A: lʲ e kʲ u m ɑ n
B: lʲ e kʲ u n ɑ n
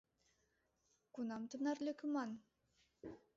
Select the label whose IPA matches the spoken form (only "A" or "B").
A